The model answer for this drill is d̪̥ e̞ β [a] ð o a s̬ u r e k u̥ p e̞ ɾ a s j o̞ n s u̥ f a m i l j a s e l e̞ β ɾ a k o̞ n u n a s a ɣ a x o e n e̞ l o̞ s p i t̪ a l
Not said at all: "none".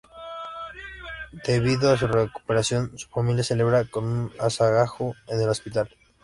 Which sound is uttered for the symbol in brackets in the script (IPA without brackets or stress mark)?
i